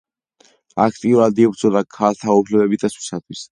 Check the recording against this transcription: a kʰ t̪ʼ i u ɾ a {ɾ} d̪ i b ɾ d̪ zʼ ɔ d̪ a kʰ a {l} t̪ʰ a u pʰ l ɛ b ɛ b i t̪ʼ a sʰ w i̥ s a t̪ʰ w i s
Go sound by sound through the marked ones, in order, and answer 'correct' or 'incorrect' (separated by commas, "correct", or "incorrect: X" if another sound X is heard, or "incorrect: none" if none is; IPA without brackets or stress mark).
incorrect: none, correct